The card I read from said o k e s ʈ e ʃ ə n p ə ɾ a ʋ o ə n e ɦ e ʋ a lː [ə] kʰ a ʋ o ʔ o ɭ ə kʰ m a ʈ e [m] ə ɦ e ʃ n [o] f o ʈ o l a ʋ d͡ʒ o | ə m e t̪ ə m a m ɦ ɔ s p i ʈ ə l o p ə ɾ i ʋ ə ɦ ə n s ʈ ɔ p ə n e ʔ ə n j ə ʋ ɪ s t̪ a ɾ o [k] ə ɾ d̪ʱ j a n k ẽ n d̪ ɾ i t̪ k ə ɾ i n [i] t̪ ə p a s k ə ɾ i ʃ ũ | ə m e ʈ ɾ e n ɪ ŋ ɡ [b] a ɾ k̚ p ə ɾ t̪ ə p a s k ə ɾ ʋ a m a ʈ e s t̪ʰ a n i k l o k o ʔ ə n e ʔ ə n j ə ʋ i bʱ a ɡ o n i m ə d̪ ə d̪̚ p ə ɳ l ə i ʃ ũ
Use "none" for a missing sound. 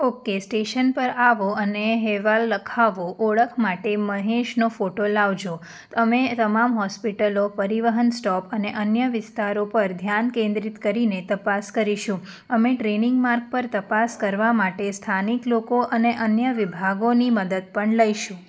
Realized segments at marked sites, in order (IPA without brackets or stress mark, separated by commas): ə, m, o, p, e, m